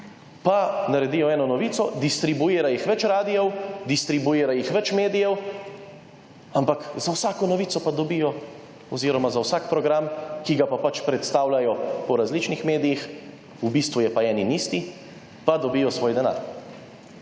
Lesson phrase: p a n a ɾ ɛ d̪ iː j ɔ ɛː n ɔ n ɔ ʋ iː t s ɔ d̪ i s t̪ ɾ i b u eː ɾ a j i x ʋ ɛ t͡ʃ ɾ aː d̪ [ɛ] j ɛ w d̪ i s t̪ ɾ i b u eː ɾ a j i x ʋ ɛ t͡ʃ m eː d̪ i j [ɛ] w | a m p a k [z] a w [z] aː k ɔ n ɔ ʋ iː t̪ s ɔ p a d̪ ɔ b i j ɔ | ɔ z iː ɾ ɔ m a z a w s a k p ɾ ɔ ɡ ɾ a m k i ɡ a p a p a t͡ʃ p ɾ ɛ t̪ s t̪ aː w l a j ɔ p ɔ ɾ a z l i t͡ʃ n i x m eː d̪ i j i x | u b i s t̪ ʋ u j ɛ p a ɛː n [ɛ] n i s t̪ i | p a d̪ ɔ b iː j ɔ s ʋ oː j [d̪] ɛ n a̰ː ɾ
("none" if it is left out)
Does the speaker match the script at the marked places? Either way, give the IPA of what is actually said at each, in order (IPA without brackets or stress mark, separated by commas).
i, ɛ, z, s, i, d̪